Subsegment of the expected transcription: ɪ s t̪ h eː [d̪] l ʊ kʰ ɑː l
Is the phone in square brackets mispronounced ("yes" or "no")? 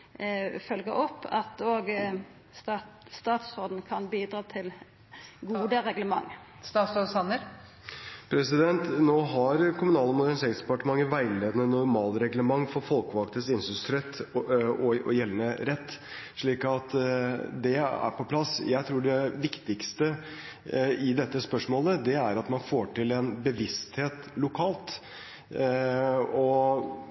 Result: yes